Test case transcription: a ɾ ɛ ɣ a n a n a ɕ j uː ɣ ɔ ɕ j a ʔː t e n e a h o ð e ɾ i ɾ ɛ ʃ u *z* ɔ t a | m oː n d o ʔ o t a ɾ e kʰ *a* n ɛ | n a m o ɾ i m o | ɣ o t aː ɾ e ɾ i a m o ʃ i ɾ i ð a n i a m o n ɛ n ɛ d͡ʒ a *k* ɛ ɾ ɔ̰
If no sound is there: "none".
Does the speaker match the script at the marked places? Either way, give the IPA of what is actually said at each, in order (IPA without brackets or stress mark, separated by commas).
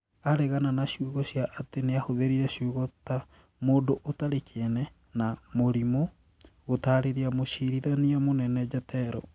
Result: ɣ, e, t